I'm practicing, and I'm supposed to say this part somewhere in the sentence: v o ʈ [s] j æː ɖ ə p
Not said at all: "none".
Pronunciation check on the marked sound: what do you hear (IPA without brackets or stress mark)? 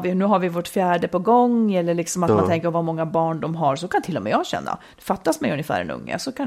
f